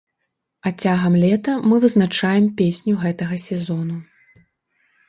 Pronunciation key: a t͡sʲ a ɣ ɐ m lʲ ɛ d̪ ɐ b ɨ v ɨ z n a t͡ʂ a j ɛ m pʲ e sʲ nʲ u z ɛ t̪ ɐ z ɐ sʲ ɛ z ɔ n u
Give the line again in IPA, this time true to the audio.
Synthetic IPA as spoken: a t͡sʲ a ɣ ɐ m lʲ ɛ t̪ ɐ m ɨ v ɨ z n a t͡ʂ a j ɛ m pʲ e sʲ nʲ u ɣ ɛ t̪ ɐ ɣ ɐ sʲ ɛ z ɔ n u